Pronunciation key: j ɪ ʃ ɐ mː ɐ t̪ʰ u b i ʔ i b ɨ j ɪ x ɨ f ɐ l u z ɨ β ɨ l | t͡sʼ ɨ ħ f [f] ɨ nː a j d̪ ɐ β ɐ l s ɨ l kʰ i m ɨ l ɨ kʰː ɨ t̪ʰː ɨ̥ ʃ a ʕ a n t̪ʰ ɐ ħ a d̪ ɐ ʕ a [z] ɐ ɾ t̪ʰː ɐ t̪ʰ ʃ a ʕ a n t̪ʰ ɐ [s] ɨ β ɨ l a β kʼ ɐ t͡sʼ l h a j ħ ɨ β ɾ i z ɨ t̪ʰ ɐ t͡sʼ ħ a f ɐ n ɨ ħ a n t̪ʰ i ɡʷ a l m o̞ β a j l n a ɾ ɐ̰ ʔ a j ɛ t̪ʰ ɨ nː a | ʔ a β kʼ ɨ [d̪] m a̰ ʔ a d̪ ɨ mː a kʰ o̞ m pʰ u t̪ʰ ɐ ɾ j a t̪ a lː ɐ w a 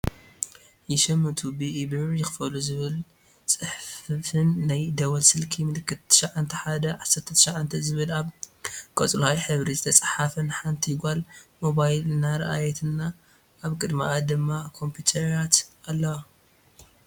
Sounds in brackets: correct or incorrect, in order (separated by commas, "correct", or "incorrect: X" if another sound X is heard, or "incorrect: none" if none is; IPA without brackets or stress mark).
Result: correct, incorrect: s, incorrect: z, correct